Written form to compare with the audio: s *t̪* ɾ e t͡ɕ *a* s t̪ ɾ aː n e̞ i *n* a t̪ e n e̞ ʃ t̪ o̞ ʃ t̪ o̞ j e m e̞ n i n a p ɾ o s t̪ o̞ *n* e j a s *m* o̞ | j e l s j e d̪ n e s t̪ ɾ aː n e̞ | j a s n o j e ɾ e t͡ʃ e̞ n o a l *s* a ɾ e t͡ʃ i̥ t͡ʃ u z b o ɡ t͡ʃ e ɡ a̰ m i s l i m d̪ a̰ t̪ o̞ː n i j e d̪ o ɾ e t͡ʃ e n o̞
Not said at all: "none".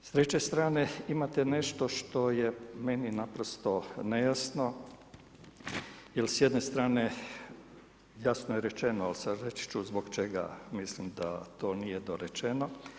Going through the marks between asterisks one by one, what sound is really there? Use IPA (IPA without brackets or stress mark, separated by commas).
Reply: t̪, e, m, n, n, s